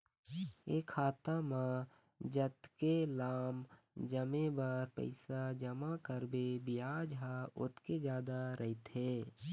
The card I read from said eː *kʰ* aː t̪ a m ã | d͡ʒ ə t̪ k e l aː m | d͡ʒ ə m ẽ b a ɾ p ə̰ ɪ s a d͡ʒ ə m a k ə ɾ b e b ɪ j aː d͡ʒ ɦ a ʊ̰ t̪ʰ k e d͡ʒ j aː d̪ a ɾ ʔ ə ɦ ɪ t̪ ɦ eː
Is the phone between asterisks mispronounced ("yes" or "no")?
no